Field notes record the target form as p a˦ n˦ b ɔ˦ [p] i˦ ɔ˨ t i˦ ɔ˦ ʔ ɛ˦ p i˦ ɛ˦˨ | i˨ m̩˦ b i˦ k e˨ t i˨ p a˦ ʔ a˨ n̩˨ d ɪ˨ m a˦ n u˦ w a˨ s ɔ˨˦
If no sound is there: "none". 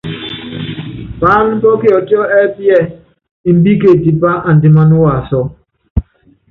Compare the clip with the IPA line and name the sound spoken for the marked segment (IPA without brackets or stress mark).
k